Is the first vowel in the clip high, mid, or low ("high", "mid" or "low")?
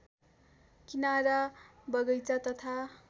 high